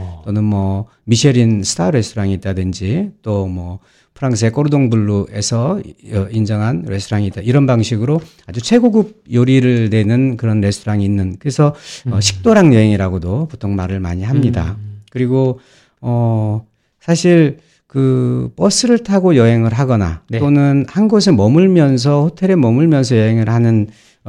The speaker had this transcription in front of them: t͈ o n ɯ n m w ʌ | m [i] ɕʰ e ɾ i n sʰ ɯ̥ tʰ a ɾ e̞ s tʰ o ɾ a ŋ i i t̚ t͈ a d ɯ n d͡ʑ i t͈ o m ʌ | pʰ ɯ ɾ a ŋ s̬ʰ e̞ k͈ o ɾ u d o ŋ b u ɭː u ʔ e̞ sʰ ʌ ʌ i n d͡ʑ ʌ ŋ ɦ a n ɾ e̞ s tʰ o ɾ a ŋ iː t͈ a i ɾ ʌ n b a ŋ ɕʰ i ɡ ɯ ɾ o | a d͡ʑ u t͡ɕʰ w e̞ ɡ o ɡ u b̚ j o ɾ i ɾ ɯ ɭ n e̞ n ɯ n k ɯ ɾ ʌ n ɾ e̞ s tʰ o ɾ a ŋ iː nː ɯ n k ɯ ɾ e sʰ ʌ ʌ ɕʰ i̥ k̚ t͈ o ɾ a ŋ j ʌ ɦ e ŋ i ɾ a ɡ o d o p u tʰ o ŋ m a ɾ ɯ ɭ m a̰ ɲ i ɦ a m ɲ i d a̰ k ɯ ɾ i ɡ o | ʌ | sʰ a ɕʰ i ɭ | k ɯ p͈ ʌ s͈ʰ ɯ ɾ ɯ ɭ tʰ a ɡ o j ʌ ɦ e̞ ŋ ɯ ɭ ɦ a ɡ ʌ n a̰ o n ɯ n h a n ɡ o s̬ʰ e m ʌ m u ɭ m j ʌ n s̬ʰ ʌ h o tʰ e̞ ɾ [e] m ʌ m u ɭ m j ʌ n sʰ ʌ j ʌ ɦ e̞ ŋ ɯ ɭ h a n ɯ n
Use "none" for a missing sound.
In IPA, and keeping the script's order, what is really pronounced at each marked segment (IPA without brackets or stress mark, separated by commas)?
i, e